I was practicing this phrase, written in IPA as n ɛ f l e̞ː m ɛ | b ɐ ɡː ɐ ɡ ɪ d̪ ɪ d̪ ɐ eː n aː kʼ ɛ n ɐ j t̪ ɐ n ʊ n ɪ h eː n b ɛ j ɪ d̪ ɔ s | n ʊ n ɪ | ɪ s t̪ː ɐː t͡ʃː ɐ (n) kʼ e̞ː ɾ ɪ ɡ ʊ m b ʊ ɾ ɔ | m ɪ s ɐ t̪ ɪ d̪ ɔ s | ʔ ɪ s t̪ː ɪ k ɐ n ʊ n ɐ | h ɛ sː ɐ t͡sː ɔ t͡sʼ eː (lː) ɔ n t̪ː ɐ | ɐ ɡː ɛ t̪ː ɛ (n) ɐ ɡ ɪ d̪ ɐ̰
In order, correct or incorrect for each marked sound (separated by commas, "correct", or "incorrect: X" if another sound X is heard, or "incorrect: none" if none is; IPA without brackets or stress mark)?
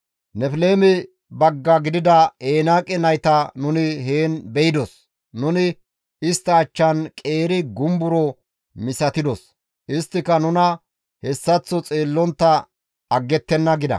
correct, correct, incorrect: nː